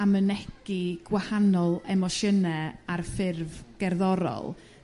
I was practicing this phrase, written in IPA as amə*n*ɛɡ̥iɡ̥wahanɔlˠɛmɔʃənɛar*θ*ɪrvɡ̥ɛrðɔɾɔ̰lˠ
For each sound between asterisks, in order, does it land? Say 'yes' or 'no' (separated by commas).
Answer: yes, no